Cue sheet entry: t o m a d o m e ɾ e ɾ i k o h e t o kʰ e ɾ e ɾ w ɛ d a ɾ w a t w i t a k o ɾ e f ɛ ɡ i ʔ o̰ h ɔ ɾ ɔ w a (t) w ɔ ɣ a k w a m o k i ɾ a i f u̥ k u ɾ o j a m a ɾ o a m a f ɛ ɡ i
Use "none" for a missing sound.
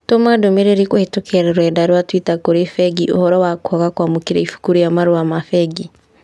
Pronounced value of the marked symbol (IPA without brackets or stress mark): k